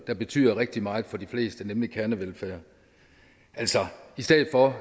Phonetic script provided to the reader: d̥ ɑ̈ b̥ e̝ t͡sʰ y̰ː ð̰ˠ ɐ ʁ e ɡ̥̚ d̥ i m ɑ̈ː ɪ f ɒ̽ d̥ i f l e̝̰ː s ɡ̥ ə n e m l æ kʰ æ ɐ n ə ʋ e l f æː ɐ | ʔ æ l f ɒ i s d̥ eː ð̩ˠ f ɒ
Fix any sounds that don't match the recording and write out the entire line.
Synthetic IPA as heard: d̥ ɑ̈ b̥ e̝ t͡sʰ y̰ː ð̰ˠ ɐ ʁ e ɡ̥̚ d̥ i m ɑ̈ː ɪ f ɒ̽ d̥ i f l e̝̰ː s d̥ ə n e m l i kʰ æ ɐ n ə ʋ e l f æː ɐ | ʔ æ l s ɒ i s d̥ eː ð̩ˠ f ɒ